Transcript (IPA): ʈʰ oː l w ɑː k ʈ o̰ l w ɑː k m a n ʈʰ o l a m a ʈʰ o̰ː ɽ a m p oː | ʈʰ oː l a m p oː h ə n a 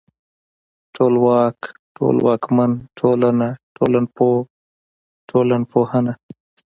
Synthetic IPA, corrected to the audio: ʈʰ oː l w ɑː k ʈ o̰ l w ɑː k m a n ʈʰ o l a n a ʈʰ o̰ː l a n p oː | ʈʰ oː l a n p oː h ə n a